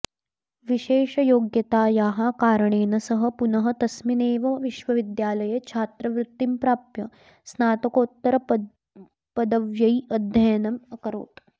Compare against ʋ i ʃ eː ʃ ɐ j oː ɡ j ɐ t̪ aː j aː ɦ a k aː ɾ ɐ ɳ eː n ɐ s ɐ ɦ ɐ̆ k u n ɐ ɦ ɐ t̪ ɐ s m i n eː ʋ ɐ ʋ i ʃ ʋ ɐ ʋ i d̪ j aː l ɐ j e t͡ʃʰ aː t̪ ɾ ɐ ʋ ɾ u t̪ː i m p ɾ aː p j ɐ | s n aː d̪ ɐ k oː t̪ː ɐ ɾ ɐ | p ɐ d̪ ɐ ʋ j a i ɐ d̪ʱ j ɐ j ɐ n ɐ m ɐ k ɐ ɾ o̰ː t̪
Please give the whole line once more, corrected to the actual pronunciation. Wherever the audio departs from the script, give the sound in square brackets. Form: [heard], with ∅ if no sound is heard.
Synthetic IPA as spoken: ʋ i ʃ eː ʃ ɐ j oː ɡ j ɐ t̪ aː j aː ɦ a k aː ɾ ɐ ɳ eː n ɐ s ɐ ɦ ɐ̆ [p] u n ɐ ɦ ɐ t̪ ɐ s m i n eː ʋ ɐ ʋ i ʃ ʋ ɐ ʋ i d̪ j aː l ɐ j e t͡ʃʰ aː t̪ ɾ ɐ ʋ ɾ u t̪ː i m p ɾ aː p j ɐ | s n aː [t̪] ɐ k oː t̪ː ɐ ɾ ɐ | p ɐ d̪ ɐ ʋ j [ɐ] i ɐ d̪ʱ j ɐ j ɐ n ɐ m ɐ k ɐ ɾ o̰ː t̪